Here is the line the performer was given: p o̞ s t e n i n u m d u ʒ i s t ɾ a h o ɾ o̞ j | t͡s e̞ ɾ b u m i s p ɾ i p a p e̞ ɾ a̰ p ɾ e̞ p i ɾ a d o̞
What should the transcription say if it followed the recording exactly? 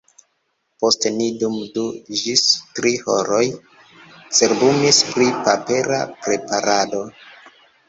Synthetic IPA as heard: p o̞ s t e n i d u m d u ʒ i s t ɾ i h o ɾ o̞ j | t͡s e̞ ɾ b u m i s p ɾ i p a p e̞ ɾ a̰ p ɾ e̞ p a ɾ a d o̞